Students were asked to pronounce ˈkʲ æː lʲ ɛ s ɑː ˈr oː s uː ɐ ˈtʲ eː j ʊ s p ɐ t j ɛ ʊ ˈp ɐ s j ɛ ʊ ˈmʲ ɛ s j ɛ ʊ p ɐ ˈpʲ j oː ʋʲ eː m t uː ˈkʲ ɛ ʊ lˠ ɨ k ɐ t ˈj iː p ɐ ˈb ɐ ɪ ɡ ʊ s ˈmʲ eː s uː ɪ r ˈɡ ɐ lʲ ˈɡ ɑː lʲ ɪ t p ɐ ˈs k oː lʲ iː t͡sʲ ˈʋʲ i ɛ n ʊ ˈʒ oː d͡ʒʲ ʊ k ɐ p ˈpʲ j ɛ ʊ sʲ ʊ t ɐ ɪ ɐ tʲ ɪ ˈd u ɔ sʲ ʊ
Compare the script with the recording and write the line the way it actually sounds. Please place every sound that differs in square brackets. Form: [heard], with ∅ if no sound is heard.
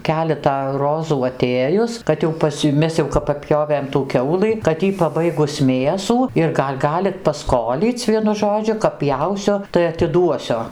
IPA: ˈkʲ æː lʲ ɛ [t] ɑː ˈr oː [z] uː ɐ ˈtʲ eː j ʊ s [k] ɐ t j ɛ ʊ ˈp ɐ s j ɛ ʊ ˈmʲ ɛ s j ɛ ʊ p ɐ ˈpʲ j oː ʋʲ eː m t uː ˈkʲ ɛ ʊ lˠ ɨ k ɐ t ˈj iː p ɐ ˈb ɐ ɪ ɡ ʊ s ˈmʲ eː s uː ɪ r ˈɡ ɐ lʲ ˈɡ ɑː lʲ ɪ t p ɐ ˈs k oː lʲ iː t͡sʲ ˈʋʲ i ɛ n ʊ ˈʒ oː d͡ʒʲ ʊ k ɐ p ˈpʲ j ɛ ʊ sʲ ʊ t ɐ ɪ ɐ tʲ ɪ ˈd u ɔ sʲ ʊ

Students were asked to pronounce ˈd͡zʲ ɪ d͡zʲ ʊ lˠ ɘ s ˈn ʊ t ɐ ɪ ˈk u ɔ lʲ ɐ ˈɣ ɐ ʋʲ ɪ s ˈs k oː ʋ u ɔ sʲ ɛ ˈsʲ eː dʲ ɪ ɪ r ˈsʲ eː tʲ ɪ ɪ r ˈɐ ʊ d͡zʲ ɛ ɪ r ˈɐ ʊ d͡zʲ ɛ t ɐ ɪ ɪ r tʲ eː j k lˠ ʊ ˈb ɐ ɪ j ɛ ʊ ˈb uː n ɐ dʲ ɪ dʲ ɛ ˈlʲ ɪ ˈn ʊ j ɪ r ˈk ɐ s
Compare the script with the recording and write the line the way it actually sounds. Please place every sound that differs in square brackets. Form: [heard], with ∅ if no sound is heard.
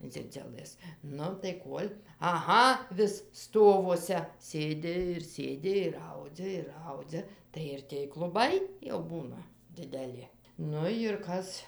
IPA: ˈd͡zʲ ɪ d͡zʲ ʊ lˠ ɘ s ˈn ʊ t ɐ ɪ ˈk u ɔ lʲ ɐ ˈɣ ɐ ʋʲ ɪ s ˈs [t] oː ʋ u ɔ sʲ ɛ ˈsʲ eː dʲ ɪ ɪ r ˈsʲ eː [dʲ] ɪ ɪ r ˈɐ ʊ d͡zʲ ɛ ɪ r ˈɐ ʊ d͡zʲ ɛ t ɐ ɪ ɪ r tʲ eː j k lˠ ʊ ˈb ɐ ɪ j ɛ ʊ ˈb uː n ɐ dʲ ɪ dʲ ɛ ˈlʲ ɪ ˈn ʊ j ɪ r ˈk ɐ s

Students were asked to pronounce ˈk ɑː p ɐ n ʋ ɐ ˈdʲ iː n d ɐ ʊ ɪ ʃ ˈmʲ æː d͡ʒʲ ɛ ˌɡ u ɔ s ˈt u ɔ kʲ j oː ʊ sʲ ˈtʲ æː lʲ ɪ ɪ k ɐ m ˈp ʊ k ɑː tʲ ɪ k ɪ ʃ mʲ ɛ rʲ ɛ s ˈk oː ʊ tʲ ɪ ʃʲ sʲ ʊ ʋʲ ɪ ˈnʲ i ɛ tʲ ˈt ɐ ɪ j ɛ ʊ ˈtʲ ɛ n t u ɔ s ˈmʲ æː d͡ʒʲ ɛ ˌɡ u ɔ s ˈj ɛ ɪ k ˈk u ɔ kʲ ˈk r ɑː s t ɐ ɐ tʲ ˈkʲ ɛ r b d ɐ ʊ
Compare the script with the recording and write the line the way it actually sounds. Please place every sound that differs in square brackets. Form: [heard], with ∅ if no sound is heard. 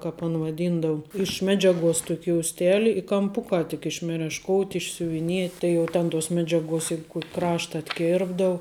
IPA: ˈk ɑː p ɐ n ʋ ɐ ˈdʲ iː n d ɐ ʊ ɪ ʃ ˈmʲ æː d͡ʒʲ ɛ ˌɡ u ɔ s ˈt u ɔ kʲ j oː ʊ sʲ ˈtʲ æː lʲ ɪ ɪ k ɐ m ˈp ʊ k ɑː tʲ ɪ k ɪ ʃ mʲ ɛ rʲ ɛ [ʃ] ˈk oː ʊ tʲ ɪ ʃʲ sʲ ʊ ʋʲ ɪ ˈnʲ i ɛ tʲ ˈt ɐ ɪ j ɛ ʊ ˈtʲ ɛ n t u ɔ s ˈmʲ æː d͡ʒʲ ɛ ˌɡ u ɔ s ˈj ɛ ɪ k ˈk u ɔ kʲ ˈk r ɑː [ʃ] t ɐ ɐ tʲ ˈkʲ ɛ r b d ɐ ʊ

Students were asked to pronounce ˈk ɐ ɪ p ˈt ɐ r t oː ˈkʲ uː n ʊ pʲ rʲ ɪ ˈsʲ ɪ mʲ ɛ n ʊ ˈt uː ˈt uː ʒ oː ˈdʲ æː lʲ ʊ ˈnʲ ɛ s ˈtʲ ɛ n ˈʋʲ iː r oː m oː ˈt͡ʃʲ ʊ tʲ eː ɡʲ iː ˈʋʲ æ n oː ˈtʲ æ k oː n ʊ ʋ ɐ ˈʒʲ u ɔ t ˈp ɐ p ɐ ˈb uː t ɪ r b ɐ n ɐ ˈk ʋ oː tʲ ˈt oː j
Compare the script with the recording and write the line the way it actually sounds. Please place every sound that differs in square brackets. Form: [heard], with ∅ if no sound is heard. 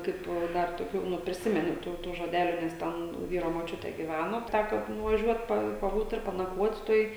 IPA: ˈk ɐ ɪ p [ˈd] ɐ r t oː ˈkʲ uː n ʊ pʲ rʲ ɪ ˈsʲ ɪ mʲ ɛ n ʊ ˈt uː ˈt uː ʒ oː ˈdʲ æː lʲ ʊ ˈnʲ ɛ s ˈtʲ ɛ n ˈʋʲ iː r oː m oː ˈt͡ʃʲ ʊ tʲ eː ɡʲ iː ˈʋʲ æ n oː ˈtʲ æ k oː n ʊ ʋ ɐ ˈʒʲ u ɔ t ˈp ɐ p ɐ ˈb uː t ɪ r [p] ɐ n ɐ ˈk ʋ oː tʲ ˈt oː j

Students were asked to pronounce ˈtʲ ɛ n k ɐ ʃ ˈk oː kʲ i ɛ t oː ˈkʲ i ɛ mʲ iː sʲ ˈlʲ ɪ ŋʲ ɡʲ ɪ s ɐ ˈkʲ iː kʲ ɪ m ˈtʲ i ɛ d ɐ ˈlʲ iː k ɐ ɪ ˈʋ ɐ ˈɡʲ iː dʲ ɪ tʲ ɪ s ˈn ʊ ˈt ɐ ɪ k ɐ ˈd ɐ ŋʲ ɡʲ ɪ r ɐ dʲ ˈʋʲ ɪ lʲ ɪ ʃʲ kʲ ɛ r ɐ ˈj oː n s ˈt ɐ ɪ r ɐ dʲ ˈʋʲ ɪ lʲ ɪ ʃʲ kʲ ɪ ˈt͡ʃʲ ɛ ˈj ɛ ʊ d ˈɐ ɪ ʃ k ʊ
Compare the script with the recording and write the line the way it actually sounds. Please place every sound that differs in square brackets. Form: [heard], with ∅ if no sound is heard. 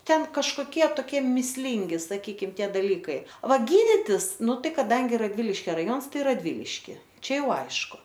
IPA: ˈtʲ ɛ n k ɐ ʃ ˈk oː kʲ i ɛ t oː ˈkʲ i ɛ mʲ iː sʲ ˈlʲ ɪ ŋʲ ɡʲ ɪ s ɐ ˈkʲ iː kʲ ɪ m ˈtʲ i ɛ d ɐ ˈlʲ iː k ɐ ɪ ˈʋ ɐ ˈɡʲ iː dʲ ɪ tʲ ɪ s ˈn ʊ ˈt ɐ ɪ k ɐ ˈd ɐ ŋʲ ɡʲ ɪ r ɐ dʲ ˈʋʲ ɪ lʲ ɪ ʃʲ kʲ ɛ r ɐ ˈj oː n s ˈt ɐ ɪ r ɐ dʲ ˈʋʲ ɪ lʲ ɪ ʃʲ kʲ ɪ ˈt͡ʃʲ ɛ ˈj ɛ ʊ [∅] ˈɐ ɪ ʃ k ʊ

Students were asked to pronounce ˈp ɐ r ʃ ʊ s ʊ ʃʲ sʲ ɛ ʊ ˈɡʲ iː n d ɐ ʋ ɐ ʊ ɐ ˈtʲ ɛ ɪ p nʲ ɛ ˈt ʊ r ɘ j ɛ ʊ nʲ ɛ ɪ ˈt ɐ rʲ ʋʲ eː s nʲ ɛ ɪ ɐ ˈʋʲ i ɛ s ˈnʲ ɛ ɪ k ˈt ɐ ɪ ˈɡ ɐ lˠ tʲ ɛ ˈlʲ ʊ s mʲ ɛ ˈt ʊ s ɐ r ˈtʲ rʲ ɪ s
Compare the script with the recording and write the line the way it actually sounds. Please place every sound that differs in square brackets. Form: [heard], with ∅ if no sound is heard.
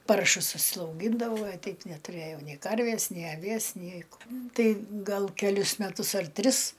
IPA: ˈp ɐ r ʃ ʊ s ʊ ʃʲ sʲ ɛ ʊ ˈɡʲ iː n d ɐ ʋ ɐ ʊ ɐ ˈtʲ ɛ ɪ p nʲ ɛ ˈt ʊ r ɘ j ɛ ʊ nʲ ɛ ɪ [ˈk] ɐ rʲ ʋʲ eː s nʲ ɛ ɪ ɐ ˈʋʲ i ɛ s ˈnʲ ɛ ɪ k ˈt ɐ ɪ ˈɡ ɐ lˠ [kʲ] ɛ ˈlʲ ʊ s mʲ ɛ ˈt ʊ s ɐ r ˈtʲ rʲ ɪ s

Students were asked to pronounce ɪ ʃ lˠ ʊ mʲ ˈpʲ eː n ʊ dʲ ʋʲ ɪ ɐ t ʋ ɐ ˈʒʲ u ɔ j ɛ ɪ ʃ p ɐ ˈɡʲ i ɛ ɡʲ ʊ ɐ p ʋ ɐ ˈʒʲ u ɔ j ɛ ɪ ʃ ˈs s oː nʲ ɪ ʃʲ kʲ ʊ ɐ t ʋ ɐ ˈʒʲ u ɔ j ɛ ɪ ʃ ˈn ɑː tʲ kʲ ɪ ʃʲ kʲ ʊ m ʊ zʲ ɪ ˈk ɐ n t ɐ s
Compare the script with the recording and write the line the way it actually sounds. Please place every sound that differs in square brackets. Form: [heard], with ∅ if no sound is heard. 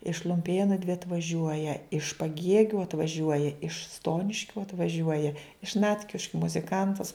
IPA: ɪ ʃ lˠ ʊ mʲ ˈpʲ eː n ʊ dʲ ʋʲ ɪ ɐ t ʋ ɐ ˈʒʲ u ɔ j ɛ ɪ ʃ p ɐ ˈɡʲ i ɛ ɡʲ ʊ ɐ [t] ʋ ɐ ˈʒʲ u ɔ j ɛ ɪ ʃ ˈs [t] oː nʲ ɪ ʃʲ kʲ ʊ ɐ t ʋ ɐ ˈʒʲ u ɔ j ɛ ɪ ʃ ˈn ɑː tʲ kʲ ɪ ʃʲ kʲ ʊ m ʊ zʲ ɪ ˈk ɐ n t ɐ s

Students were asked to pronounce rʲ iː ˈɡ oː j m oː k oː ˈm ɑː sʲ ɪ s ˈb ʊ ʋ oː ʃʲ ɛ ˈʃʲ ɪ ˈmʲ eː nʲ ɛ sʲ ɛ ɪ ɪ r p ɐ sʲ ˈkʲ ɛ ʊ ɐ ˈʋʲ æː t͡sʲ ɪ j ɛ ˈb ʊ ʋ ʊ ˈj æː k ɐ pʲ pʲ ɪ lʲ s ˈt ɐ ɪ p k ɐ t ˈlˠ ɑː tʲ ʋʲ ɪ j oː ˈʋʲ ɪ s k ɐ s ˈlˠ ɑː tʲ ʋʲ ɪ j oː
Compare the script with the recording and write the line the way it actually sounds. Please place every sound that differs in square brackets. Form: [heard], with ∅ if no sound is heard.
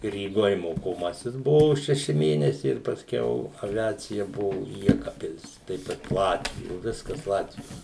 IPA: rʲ iː ˈɡ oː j m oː k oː ˈm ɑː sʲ ɪ s ˈb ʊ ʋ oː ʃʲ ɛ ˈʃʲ ɪ ˈmʲ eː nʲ ɛ sʲ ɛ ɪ ɪ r p ɐ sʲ ˈkʲ ɛ ʊ ɐ ˈʋʲ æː t͡sʲ ɪ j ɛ ˈb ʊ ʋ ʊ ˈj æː k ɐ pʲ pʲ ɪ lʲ s ˈt ɐ ɪ p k ɐ t ˈlˠ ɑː tʲ ʋʲ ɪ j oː ˈʋʲ ɪ s k ɐ s ˈlˠ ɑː tʲ ʋʲ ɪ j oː

